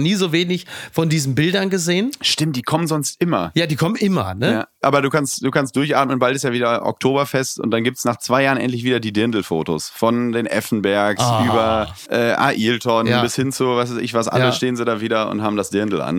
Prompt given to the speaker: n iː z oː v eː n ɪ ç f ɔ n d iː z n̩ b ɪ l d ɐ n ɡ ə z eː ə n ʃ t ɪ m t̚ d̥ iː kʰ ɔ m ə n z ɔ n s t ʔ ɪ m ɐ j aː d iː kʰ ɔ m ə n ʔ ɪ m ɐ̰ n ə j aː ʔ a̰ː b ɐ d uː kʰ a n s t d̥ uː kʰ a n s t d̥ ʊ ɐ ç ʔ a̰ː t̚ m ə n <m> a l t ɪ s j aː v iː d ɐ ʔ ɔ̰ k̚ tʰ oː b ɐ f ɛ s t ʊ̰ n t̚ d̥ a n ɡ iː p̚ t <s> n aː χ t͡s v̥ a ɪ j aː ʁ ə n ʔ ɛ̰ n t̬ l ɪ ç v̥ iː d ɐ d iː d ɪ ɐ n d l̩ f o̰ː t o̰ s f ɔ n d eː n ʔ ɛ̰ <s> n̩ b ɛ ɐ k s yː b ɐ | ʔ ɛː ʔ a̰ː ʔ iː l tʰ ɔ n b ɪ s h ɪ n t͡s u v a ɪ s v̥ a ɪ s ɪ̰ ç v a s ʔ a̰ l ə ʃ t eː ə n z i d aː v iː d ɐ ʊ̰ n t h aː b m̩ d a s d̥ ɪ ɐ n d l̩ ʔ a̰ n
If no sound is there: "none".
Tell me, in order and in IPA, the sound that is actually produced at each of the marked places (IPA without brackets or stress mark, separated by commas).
b, s, f